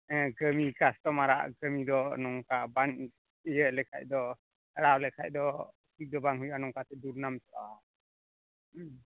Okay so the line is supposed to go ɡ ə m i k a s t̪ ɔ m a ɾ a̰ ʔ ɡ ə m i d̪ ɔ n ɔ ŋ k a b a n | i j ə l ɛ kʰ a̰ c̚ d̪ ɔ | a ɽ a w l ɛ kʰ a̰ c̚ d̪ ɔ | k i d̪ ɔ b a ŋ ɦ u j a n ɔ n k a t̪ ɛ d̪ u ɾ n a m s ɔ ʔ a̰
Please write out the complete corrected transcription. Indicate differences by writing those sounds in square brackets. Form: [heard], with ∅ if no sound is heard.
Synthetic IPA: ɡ ə m i k a s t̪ ɔ m a ɾ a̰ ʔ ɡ ə m i d̪ ɔ n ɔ ŋ k a b a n | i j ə l ɛ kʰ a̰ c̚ d̪ ɔ | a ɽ a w l ɛ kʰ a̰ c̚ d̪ ɔ | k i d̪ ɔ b a ŋ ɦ u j a n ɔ [ŋ] k a t̪ ɛ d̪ u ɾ n a m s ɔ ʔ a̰